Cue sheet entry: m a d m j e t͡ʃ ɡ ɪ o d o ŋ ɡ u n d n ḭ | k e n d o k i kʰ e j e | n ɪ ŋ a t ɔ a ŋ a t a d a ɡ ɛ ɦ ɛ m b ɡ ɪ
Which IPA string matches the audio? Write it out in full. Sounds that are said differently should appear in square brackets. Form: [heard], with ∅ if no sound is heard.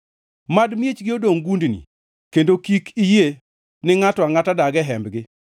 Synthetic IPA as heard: m a d m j e t͡ʃ ɡ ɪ o d o ŋ ɡ u n d n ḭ | k e n d o k i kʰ [i] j e | n ɪ ŋ a t ɔ a ŋ a t a d a ɡ ɛ ɦ ɛ m b ɡ ɪ